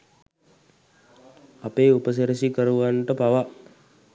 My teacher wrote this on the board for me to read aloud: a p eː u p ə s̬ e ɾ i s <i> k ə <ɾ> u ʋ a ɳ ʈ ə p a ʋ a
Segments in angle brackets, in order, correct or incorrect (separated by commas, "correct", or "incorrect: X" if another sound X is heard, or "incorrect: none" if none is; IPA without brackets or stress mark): correct, correct